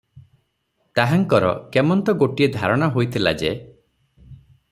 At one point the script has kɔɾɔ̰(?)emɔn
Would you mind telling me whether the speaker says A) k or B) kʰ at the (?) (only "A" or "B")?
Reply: A